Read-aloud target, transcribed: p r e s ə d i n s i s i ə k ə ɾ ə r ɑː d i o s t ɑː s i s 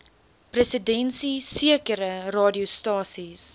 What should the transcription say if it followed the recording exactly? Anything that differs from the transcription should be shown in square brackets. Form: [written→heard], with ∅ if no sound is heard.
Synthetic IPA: p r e s ə d [i→ɛ] n s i s i ə k ə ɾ ə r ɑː d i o s t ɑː s i s